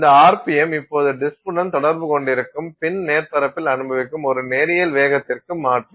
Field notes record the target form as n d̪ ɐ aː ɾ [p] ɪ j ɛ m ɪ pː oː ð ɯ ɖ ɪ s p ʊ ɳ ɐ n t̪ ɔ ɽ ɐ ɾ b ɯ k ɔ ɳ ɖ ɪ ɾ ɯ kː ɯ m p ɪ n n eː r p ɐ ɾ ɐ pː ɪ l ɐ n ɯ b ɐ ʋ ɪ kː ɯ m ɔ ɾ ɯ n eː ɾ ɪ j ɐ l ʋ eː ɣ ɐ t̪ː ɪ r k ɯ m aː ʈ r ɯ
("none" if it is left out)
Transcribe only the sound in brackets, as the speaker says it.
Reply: p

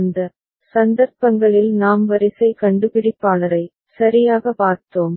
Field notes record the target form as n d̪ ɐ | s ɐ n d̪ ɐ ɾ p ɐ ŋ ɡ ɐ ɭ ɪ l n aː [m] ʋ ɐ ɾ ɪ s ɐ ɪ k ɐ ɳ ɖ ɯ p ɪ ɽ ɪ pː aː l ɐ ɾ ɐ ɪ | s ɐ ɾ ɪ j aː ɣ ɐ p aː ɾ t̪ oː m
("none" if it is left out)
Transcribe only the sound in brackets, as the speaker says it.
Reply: m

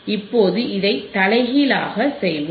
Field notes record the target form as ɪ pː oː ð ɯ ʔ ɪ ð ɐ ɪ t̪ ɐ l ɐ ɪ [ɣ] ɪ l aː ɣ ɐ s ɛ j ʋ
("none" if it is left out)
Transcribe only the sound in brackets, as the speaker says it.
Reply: ɣ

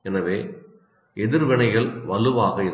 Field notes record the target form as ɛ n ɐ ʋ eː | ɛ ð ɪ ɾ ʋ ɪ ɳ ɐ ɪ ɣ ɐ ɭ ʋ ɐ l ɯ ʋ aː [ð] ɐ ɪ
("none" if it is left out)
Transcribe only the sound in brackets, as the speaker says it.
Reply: ɣ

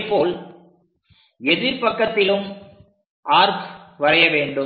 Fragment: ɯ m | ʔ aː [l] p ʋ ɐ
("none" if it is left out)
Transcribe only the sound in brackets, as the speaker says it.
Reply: ɾ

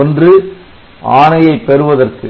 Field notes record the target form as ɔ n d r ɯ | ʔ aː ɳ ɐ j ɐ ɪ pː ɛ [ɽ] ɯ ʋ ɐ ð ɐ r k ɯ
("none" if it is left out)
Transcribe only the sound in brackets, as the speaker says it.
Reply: ɾ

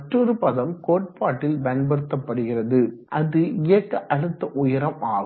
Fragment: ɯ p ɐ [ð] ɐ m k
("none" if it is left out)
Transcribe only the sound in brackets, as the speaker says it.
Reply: ð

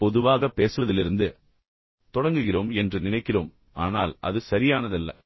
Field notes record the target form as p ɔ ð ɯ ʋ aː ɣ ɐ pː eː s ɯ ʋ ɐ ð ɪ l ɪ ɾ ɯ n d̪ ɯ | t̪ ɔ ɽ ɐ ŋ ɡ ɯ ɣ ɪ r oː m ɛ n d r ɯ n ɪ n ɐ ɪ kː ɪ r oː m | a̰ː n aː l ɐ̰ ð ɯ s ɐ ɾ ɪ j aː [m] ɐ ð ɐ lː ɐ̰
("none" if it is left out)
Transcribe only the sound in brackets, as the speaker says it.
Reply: n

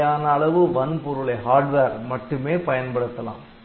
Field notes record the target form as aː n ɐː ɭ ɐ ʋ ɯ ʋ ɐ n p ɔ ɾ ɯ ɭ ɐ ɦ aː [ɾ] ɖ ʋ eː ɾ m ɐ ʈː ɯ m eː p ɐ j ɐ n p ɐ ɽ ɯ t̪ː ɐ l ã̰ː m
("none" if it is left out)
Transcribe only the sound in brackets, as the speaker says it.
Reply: ɾ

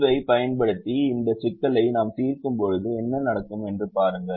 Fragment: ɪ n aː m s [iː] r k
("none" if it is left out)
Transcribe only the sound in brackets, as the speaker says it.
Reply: iː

